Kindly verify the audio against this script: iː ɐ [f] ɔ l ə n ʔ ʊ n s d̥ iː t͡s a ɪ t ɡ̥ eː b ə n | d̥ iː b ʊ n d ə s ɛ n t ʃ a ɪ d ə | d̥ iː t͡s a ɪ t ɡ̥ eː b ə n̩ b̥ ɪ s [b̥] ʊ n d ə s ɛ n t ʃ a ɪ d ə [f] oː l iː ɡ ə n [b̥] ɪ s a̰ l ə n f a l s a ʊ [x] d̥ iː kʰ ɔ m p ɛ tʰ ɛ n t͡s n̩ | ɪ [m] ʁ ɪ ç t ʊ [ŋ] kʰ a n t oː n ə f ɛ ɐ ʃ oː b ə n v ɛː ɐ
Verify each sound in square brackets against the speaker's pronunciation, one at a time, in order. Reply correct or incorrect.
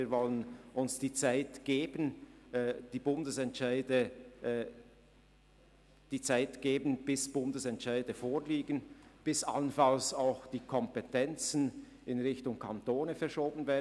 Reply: incorrect, correct, correct, correct, correct, incorrect, correct

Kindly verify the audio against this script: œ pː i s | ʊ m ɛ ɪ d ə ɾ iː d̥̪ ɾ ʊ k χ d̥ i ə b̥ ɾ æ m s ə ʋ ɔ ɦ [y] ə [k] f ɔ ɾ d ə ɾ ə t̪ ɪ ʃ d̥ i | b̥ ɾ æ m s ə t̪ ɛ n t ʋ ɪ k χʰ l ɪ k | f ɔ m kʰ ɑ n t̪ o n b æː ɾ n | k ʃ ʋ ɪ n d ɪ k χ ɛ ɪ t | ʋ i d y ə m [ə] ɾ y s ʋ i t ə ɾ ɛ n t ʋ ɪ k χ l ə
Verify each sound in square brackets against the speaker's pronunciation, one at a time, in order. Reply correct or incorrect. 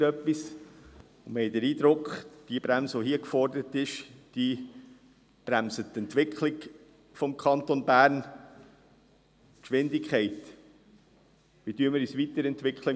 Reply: incorrect, correct, correct

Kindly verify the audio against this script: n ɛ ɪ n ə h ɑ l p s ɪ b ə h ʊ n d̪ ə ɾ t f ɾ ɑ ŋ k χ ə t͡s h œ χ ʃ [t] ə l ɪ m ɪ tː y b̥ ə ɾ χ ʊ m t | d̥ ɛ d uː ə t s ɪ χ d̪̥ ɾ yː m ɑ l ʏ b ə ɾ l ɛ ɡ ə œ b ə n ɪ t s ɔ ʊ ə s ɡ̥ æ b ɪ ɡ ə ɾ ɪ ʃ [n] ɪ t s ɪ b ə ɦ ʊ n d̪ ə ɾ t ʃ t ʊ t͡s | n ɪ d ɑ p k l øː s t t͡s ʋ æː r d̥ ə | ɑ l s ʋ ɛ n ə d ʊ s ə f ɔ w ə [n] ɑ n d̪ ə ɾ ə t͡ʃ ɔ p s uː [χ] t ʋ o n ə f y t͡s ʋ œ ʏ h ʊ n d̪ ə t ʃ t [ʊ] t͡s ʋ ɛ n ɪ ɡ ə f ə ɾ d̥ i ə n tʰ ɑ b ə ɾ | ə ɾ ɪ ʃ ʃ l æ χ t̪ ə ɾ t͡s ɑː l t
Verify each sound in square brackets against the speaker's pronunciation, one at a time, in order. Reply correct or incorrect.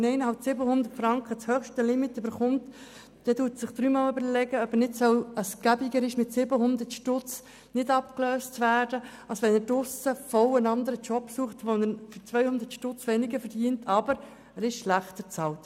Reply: correct, incorrect, correct, correct, correct

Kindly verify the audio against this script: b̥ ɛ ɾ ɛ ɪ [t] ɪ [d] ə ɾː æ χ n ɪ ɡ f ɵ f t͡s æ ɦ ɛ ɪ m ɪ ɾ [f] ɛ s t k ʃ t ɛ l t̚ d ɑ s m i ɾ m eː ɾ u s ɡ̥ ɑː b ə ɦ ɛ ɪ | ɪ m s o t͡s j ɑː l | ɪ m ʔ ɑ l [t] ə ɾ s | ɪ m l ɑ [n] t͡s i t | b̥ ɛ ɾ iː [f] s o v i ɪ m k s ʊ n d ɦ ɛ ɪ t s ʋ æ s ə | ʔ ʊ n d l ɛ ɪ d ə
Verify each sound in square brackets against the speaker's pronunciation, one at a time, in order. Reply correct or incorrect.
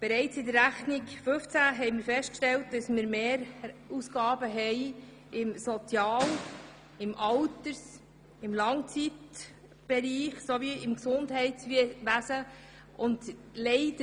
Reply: incorrect, correct, correct, correct, incorrect, incorrect

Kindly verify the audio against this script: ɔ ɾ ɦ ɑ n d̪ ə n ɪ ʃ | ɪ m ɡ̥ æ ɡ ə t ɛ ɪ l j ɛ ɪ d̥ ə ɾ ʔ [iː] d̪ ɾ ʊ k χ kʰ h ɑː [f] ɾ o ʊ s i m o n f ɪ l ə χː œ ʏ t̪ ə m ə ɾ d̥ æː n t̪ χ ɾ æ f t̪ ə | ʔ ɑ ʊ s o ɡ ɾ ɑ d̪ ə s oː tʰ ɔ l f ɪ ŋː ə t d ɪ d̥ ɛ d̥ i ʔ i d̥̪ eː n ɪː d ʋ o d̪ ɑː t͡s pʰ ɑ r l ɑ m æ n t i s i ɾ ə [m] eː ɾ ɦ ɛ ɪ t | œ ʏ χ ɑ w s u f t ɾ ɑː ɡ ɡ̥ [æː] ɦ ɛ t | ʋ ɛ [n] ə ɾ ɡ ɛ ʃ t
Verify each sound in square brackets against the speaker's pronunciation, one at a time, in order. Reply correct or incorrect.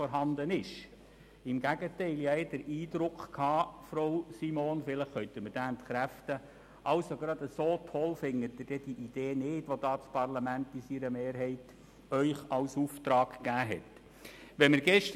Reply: correct, correct, correct, correct, incorrect

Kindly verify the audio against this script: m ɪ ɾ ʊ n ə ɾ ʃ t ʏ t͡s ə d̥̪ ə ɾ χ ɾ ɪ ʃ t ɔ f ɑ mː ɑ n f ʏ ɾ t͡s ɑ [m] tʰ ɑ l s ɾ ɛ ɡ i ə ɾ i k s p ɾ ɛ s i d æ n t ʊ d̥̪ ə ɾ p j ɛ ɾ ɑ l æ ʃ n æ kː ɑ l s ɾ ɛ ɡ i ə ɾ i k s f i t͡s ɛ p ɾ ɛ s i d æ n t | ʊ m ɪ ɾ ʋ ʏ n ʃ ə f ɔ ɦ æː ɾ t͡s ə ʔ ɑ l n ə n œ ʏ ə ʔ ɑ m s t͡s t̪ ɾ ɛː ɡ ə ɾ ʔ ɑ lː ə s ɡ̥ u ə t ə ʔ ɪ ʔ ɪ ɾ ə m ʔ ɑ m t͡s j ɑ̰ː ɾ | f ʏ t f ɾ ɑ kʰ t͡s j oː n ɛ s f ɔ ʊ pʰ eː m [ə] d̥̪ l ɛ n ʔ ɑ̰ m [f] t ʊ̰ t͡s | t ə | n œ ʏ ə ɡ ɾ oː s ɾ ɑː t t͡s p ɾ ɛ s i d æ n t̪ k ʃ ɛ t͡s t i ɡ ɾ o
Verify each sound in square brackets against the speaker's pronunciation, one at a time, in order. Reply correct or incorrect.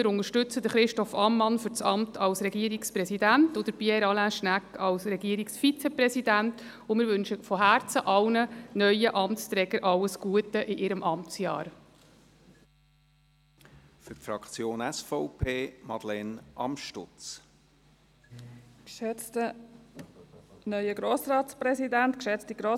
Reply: correct, incorrect, incorrect

